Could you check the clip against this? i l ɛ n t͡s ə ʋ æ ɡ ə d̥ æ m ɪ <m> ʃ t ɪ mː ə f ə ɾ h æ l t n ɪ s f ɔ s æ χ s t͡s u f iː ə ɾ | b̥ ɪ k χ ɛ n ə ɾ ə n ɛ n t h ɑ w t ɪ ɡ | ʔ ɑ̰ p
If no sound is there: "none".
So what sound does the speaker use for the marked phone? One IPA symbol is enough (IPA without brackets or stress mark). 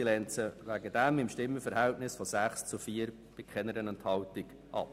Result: m